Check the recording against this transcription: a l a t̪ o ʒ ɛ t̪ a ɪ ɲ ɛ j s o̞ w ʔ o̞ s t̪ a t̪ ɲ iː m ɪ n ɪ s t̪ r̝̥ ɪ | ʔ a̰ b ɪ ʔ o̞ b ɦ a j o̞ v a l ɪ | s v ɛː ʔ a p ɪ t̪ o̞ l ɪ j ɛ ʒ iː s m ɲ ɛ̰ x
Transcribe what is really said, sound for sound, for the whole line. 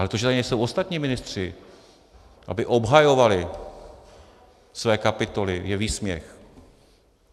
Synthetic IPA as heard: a l ɛ t̪ o ʒ ɛ t̪ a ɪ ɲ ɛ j s o̞ w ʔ o̞ s t̪ a t̪ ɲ iː m ɪ n ɪ s t̪ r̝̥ ɪ | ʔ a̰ b ɪ ʔ o̞ b ɦ a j o̞ v a l ɪ | s v ɛː k a p ɪ t̪ o̞ l ɪ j ɛ v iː s m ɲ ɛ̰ x

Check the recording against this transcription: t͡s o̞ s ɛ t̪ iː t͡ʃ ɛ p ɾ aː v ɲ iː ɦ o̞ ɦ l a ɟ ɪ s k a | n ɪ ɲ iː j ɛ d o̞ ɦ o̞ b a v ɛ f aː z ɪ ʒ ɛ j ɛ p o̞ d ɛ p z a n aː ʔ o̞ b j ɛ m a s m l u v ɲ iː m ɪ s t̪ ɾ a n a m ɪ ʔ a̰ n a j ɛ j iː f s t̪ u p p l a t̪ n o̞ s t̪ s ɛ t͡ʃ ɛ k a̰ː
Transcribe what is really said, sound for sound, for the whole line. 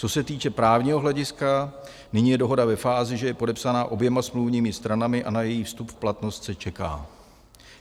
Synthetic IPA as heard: t͡s o̞ s ɛ t̪ iː t͡ʃ ɛ p ɾ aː v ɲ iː ɦ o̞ ɦ l ɛ ɟ ɪ s k a | n ɪ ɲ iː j ɛ d o̞ ɦ o̞ d a v ɛ f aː z ɪ ʒ ɛ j ɛ p o̞ d ɛ p s a n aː ʔ o̞ b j ɛ m a s m l u v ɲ iː m ɪ s t̪ ɾ a n a m ɪ ʔ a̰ n a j ɛ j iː f s t̪ u p p l a t̪ n o̞ s t̪ s ɛ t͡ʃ ɛ k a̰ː

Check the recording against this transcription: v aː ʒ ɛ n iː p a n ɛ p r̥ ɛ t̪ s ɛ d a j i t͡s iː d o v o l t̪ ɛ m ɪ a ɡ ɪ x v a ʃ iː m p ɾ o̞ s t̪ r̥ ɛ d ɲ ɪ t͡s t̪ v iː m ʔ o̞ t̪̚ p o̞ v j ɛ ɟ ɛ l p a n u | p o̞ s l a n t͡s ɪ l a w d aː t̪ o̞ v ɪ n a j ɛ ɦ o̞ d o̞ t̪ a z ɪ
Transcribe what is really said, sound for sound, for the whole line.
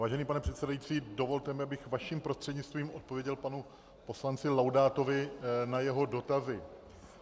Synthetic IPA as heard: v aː ʒ ɛ n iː p a n ɛ p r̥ ɛ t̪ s ɛ d a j i t͡s iː d o v o l t̪ ɛ m ɪ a b ɪ x v a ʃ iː m p ɾ o̞ s t̪ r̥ ɛ d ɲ ɪ t͡s t̪ v iː m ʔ o̞ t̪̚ p o̞ v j ɛ ɟ ɛ l p a n u | p o̞ s l a n t͡s ɪ l a w d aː t̪ o̞ v ɪ n a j ɛ ɦ o̞ d o̞ t̪ a z ɪ

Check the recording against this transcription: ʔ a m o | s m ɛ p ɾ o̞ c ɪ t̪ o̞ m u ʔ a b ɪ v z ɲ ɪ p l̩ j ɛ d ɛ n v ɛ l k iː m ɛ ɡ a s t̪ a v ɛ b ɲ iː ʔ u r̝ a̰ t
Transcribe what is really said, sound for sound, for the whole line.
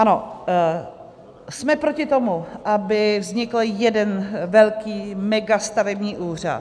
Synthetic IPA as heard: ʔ a n o | s m ɛ p ɾ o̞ c ɪ t̪ o̞ m u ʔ a b ɪ v z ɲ ɪ k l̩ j ɛ d ɛ n v ɛ l k iː m ɛ ɡ a s t̪ a v ɛ b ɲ iː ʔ uː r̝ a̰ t

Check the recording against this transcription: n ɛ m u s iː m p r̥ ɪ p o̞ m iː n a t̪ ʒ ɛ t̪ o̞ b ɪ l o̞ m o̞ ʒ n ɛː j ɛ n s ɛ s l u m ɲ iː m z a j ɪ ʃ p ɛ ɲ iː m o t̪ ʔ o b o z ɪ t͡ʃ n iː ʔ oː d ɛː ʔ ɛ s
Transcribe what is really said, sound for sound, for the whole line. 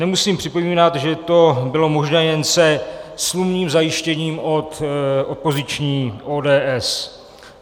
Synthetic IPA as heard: n ɛ m u s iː m p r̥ ɪ p o̞ m iː n a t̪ ʒ ɛ t̪ o̞ b ɪ l o̞ m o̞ ʒ n ɛː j ɛ n s ɛ s l u m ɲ iː m z a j ɪ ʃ c ɛ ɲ iː m o t̪ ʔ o p o z ɪ t͡ʃ ɲ iː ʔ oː d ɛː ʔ ɛ s

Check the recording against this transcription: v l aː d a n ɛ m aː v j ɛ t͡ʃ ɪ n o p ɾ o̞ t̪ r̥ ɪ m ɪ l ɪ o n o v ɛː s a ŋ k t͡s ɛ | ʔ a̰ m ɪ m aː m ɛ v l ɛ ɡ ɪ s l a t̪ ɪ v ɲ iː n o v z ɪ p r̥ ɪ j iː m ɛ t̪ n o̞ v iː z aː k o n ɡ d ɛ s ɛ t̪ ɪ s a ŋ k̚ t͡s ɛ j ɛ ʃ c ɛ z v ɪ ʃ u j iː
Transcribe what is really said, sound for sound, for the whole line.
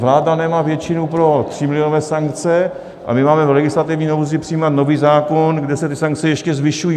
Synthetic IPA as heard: v l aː d a n ɛ m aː v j ɛ t͡ʃ ɪ n u p ɾ o̞ t̪ r̥ ɪ m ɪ l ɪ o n o v ɛː s a ŋ k t͡s ɛ | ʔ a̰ m ɪ m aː m ɛ v l ɛ ɡ ɪ s l a t̪ ɪ v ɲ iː n o w z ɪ p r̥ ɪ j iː m a t̪ n o̞ v iː z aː k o n ɡ d ɛ s ɛ t̪ ɪ s a ŋ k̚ t͡s ɛ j ɛ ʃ c ɛ z v ɪ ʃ u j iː

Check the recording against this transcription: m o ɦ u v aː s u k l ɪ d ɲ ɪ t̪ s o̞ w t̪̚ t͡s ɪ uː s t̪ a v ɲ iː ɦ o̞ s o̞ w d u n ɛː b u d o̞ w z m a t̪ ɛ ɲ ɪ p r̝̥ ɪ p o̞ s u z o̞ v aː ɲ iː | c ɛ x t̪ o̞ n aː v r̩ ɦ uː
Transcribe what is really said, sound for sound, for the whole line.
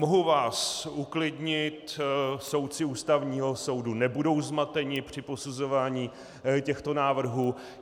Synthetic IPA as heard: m o ɦ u v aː s u k l ɪ d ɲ ɪ t̪ s o̞ w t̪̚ t͡s ɪ uː s t̪ a v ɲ iː ɦ o̞ s o̞ w d u n ɛ b u d o̞ w z m a t̪ ɛ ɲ ɪ p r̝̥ ɪ p o̞ s u z o̞ v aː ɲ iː | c ɛ x t̪ o̞ n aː v r̩ ɦ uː

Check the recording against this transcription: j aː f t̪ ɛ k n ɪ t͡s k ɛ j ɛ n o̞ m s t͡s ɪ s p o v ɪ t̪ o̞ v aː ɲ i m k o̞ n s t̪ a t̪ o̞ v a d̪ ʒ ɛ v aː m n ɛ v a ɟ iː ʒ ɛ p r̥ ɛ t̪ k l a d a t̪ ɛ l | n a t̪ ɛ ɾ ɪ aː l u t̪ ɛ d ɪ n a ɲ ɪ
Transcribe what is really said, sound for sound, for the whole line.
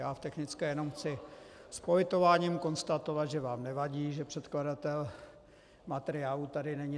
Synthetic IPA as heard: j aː f t̪ ɛ x n ɪ t͡s k ɛ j ɛ n o̞ m x t͡s ɪ s p o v ɪ t̪ o̞ v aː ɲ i m k o̞ n s t̪ a t̪ o̞ v a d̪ ʒ ɛ v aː m n ɛ v a ɟ iː ʒ ɛ p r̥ ɛ t̪ k l a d a t̪ ɛ l | m a t̪ ɛ ɾ ɪ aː l u t̪ a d ɪ n ɛ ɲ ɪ

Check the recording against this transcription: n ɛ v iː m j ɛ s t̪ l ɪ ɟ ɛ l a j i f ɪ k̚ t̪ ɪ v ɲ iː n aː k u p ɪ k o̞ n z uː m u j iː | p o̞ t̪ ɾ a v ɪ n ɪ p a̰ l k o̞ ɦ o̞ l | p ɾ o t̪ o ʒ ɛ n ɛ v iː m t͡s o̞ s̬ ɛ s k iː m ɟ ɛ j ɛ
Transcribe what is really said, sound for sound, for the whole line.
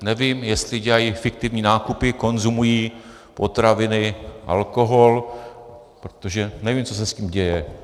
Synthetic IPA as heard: n ɛ v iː m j ɛ s t̪ l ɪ ɟ ɛ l a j i f ɪ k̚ t̪ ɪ v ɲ iː n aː k u p ɪ k o̞ n z u m u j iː | p o̞ t̪ ɾ a v ɪ n ɪ ʔ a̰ l k o̞ ɦ o̞ l | p ɾ o t̪ o ʒ ɛ n ɛ v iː m t͡s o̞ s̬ ɛ s c iː m ɟ ɛ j ɛ

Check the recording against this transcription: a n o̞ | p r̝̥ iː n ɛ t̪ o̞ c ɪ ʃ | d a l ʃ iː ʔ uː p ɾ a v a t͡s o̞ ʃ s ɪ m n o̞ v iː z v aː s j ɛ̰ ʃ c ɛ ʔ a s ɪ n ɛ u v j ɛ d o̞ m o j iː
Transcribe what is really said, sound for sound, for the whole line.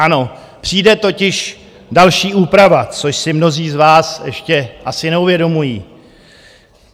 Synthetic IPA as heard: a n o̞ | p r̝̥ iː d ɛ t̪ o̞ c ɪ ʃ | d a l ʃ iː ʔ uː p ɾ a v a t͡s o̞ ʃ s ɪ m n o̞ z iː z v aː s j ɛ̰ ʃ c ɛ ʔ a s ɪ n ɛ u v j ɛ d o̞ m u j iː

